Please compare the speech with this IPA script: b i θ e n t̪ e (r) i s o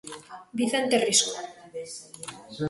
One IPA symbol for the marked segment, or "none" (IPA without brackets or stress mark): r